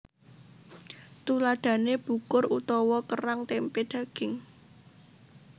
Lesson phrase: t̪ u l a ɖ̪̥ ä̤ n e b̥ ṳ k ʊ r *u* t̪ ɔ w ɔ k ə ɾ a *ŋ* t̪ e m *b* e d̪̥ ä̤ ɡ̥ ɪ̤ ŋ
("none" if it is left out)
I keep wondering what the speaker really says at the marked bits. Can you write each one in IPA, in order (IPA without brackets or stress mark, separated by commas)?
u, ŋ, p